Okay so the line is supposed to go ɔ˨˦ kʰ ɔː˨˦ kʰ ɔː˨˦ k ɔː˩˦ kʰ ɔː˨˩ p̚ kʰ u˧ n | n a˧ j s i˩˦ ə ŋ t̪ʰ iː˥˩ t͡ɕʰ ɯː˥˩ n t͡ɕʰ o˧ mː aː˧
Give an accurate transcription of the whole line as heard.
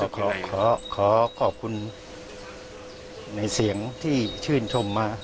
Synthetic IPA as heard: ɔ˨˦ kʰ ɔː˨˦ kʰ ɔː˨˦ kʰ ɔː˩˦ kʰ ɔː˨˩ p̚ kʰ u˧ n | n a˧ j s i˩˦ ə ŋ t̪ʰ iː˥˩ t͡ɕʰ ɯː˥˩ n t͡ɕʰ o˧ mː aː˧